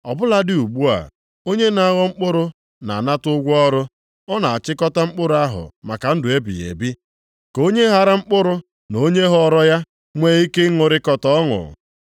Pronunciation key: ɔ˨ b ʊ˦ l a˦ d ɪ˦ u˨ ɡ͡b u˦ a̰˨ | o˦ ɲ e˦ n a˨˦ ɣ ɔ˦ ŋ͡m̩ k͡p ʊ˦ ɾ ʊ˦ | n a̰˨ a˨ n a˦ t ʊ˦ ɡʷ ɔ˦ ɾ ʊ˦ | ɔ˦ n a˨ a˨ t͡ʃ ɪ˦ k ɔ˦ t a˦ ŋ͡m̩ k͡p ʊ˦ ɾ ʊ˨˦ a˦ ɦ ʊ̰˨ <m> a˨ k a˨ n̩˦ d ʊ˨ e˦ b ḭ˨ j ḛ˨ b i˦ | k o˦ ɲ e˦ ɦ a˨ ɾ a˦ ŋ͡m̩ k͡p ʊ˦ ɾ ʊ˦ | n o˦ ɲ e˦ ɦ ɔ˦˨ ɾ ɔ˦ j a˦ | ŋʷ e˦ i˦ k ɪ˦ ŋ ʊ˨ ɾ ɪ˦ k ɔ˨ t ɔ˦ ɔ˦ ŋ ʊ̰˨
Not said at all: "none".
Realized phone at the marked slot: m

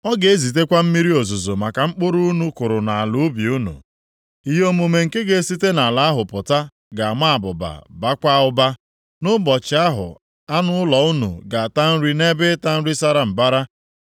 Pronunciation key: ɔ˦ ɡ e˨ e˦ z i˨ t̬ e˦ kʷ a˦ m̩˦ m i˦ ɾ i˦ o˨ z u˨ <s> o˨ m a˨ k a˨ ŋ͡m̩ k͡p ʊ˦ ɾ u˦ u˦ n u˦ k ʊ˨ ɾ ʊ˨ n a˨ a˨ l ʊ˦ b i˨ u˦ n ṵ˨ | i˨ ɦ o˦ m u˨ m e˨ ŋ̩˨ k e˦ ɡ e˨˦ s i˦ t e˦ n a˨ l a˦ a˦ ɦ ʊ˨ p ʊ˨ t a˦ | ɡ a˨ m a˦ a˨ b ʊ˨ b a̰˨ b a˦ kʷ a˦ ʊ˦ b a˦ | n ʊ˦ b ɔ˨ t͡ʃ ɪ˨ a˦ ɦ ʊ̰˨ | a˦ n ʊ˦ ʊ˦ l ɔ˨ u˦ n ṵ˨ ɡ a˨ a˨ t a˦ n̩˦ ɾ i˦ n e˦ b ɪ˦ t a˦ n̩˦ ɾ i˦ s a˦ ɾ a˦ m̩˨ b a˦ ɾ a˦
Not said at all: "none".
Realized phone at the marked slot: z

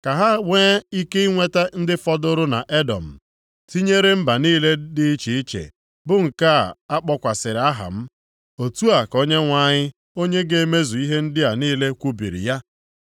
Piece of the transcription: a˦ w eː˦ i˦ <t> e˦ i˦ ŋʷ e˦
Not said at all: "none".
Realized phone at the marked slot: k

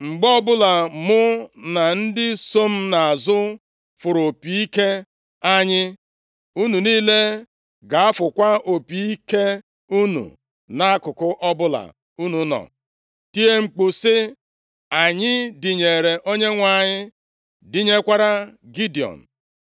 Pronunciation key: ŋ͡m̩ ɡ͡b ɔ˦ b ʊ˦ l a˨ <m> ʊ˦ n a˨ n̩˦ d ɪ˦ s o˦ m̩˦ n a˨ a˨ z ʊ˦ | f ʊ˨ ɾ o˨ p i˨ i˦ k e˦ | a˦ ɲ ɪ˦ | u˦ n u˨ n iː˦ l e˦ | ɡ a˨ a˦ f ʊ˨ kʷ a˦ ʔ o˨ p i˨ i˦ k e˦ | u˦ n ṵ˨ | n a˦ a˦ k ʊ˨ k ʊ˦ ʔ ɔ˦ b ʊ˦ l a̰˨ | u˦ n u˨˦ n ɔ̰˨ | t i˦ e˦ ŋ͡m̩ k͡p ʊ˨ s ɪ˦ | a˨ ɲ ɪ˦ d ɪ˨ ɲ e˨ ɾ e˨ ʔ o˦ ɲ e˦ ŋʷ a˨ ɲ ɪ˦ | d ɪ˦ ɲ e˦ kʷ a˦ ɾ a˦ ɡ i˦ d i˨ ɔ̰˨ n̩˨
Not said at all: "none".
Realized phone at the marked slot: m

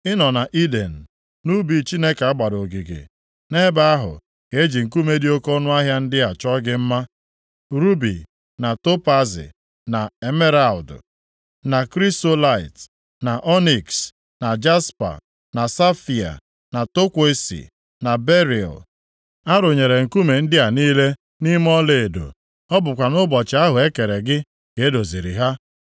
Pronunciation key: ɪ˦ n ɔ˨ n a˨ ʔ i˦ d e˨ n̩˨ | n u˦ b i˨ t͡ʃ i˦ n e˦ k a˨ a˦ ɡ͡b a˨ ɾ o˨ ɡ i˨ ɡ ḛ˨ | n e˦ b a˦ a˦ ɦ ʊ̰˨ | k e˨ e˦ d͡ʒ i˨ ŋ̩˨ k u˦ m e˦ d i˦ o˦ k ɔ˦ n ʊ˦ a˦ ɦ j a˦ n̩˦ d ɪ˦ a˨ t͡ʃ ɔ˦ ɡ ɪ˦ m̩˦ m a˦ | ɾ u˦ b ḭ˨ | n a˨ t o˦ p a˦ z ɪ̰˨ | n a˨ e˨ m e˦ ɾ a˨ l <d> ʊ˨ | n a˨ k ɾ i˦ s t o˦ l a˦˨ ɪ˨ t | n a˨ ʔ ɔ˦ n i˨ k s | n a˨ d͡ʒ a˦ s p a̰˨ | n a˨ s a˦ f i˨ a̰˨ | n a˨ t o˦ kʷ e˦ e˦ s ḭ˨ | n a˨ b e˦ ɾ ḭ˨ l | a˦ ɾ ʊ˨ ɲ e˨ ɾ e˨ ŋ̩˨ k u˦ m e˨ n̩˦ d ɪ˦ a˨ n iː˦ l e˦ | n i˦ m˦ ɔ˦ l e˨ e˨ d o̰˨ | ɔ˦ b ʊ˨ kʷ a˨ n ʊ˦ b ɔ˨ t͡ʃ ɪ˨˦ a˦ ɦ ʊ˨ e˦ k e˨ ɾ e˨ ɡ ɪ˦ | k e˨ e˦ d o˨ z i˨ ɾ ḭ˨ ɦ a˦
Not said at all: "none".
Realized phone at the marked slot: d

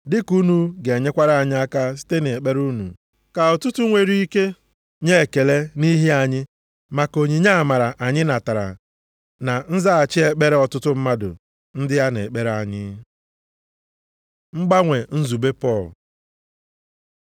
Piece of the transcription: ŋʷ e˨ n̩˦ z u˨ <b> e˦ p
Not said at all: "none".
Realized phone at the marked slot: b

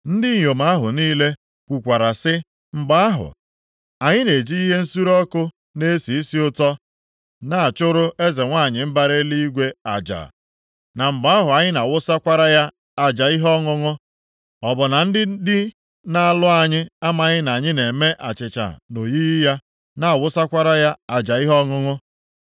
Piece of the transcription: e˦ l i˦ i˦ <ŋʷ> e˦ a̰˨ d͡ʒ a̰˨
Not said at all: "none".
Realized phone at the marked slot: ɡʷ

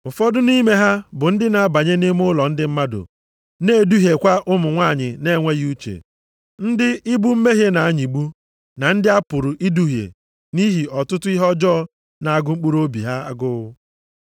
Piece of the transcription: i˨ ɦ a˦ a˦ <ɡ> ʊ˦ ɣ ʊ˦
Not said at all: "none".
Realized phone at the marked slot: ɡ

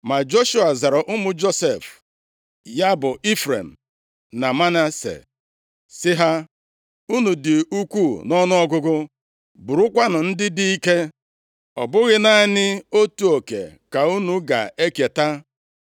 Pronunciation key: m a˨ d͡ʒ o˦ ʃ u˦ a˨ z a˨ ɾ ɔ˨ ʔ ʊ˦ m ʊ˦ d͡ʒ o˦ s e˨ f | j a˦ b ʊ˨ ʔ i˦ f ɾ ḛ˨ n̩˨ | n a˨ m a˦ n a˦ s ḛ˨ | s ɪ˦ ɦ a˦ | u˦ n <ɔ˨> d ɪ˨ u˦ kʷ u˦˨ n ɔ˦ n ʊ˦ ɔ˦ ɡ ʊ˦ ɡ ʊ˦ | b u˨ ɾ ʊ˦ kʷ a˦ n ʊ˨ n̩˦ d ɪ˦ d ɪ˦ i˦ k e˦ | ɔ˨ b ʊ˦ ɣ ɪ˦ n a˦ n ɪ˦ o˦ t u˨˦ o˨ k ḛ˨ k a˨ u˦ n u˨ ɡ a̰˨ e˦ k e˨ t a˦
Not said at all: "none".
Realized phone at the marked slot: u˨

